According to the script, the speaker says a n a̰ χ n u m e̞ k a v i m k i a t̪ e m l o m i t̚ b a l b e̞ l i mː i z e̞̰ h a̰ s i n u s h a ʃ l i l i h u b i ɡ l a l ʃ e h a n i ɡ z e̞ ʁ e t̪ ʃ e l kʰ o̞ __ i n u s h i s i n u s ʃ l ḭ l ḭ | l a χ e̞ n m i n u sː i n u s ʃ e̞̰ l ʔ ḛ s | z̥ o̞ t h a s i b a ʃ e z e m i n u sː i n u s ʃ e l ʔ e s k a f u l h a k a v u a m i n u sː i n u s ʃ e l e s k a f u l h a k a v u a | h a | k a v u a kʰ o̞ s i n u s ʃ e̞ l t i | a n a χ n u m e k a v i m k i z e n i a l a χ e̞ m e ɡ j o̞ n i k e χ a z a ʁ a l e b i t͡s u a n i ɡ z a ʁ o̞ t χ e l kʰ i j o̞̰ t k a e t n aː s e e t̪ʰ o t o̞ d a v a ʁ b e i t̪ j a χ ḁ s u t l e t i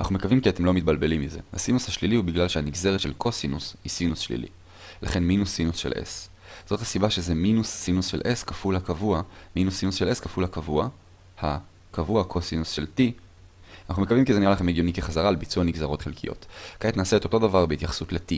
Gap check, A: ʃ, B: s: B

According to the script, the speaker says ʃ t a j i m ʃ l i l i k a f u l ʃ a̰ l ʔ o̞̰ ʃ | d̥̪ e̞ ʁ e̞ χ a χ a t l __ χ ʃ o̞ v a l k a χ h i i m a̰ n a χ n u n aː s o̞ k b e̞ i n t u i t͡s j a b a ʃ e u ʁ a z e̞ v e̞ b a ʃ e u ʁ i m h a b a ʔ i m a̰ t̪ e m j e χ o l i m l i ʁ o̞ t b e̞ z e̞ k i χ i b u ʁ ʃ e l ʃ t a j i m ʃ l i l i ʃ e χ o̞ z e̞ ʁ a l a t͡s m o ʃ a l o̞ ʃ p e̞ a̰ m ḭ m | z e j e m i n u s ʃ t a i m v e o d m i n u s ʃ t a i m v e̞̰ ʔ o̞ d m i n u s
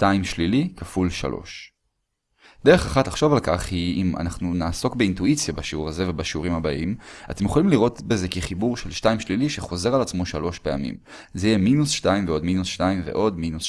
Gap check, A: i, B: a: B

